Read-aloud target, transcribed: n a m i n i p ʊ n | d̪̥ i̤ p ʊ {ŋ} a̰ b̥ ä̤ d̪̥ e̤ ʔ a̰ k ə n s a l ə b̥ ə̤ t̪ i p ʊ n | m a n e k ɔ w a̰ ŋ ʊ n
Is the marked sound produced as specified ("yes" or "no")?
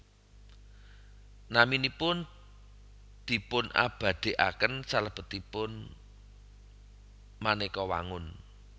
no